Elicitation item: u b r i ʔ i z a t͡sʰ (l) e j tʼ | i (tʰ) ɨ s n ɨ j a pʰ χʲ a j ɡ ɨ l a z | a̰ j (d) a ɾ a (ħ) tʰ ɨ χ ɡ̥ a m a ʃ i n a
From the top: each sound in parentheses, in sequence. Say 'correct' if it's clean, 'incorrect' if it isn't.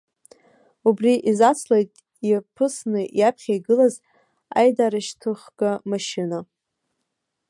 correct, incorrect, correct, incorrect

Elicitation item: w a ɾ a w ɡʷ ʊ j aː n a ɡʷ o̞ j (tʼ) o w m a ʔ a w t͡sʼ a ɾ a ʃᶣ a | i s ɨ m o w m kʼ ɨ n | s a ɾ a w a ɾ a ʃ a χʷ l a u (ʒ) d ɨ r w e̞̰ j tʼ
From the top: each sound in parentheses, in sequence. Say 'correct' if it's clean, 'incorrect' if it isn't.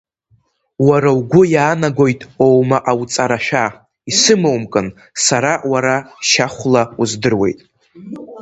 correct, incorrect

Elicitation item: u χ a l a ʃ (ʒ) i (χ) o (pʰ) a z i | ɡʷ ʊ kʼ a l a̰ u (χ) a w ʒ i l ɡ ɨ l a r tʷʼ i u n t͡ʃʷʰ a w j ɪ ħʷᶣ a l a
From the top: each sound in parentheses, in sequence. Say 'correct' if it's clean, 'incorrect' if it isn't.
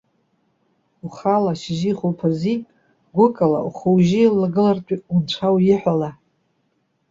correct, correct, correct, correct

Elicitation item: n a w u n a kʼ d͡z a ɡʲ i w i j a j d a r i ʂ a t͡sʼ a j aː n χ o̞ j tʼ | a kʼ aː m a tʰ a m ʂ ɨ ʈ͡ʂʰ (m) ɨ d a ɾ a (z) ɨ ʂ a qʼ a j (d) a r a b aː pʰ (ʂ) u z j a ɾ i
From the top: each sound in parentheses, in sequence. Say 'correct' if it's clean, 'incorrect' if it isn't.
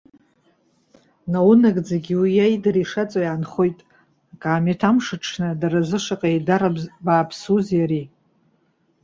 incorrect, correct, correct, incorrect

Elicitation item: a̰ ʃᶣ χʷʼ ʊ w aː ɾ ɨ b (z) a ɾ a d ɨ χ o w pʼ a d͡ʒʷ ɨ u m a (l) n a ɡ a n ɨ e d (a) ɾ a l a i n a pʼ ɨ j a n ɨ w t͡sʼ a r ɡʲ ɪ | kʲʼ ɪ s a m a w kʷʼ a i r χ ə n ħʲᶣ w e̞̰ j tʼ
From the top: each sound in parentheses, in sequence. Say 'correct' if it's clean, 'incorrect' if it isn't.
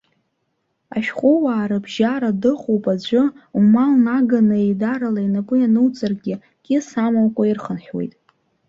incorrect, correct, correct

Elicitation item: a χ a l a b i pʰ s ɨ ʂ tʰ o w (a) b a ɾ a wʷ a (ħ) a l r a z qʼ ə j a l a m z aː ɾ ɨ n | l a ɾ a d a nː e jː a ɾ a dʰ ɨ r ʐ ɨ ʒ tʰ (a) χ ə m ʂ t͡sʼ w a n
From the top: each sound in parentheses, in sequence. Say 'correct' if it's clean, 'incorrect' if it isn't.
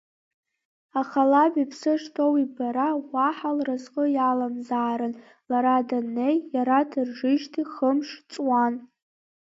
incorrect, correct, incorrect

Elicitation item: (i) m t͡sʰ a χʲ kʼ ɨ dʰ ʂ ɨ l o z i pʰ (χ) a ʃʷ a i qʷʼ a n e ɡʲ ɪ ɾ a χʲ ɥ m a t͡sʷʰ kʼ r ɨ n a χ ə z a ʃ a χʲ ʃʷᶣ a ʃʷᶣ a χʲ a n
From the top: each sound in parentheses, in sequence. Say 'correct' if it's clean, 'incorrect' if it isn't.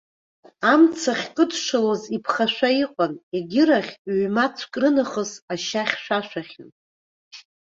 incorrect, correct

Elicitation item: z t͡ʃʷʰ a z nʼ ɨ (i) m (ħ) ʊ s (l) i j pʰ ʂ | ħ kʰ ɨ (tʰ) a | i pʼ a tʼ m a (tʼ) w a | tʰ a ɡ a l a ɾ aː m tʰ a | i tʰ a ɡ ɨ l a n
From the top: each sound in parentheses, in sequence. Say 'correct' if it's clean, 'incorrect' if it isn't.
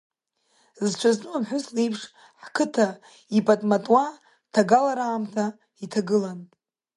incorrect, correct, correct, correct, correct

